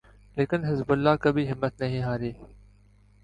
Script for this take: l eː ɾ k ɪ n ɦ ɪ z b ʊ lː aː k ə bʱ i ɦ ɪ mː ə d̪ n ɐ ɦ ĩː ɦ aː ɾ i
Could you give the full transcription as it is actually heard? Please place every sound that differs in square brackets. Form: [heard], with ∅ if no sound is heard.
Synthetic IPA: l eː [∅] k ɪ n ɦ ɪ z b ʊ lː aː k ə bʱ i ɦ ɪ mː ə [t̪] n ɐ ɦ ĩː ɦ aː ɾ [iː]